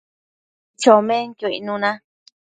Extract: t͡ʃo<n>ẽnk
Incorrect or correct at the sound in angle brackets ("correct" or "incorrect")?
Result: incorrect